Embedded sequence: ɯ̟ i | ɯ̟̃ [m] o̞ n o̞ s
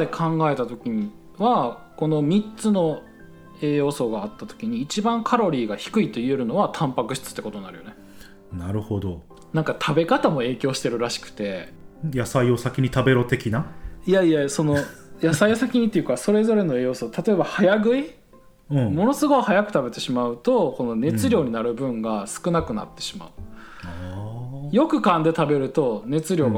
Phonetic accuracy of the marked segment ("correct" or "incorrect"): correct